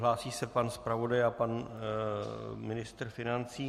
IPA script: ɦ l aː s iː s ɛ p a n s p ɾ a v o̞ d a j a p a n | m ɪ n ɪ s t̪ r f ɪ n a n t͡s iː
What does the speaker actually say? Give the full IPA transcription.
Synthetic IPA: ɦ l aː s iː s ɛ p a n s p ɾ a v o̞ d a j a p a n | m ɪ n ɪ s t̪ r f ɪ n a n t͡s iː